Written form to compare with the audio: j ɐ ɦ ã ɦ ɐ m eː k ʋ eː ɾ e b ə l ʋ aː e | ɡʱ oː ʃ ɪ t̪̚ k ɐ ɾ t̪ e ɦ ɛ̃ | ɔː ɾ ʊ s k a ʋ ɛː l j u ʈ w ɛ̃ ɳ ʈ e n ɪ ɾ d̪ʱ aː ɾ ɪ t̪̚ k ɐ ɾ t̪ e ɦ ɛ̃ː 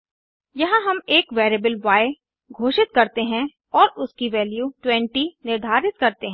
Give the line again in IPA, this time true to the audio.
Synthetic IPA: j ɐ ɦ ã ɦ ɐ m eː k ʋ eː ɾ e b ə l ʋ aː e | ɡʱ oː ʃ ɪ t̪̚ k ɐ ɾ t̪ e ɦ ɛ̃ | ɔː ɾ ʊ s k i ʋ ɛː l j u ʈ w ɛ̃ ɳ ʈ i n ɪ ɾ d̪ʱ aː ɾ ɪ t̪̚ k ɐ ɾ t̪ e ɦ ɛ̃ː